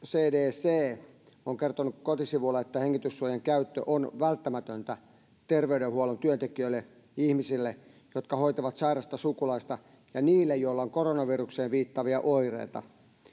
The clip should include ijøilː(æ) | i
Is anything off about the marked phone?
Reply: yes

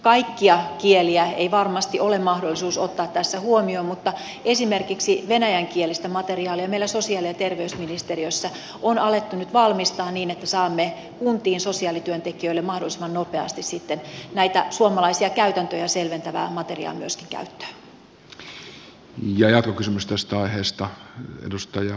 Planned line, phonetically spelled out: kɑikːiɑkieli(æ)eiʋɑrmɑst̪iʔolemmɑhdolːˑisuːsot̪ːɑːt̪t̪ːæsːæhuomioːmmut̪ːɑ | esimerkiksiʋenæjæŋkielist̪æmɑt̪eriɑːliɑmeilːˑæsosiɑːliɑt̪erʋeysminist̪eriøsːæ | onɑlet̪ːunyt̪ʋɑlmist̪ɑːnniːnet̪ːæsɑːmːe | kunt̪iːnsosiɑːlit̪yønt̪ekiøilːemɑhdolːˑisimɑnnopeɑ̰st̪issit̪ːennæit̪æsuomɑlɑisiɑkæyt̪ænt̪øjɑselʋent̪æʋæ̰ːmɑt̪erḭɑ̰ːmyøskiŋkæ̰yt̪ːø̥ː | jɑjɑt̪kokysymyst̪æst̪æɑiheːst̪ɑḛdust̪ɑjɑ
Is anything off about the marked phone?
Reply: no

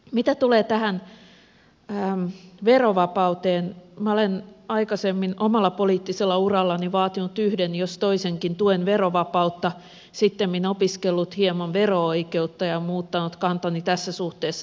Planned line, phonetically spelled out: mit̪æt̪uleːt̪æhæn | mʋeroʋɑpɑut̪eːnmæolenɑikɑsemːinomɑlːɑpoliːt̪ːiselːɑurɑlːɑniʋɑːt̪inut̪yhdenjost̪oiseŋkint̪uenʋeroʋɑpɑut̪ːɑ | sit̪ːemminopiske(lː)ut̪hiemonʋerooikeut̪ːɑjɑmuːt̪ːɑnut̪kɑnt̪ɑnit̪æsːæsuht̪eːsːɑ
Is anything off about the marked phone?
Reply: no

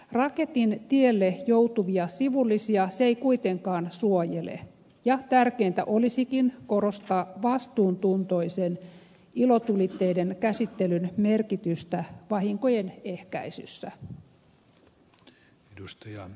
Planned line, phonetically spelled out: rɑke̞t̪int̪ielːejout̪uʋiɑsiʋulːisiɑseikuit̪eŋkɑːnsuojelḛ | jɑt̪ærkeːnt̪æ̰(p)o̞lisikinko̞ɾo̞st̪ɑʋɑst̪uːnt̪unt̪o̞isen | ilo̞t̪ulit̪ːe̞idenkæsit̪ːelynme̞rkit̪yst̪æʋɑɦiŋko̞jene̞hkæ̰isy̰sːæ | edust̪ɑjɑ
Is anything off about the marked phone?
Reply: yes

